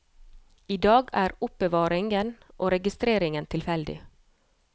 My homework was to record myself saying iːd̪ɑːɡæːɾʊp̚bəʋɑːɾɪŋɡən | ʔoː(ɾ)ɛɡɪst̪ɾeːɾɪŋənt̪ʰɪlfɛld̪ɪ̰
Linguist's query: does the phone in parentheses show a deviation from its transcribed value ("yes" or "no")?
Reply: no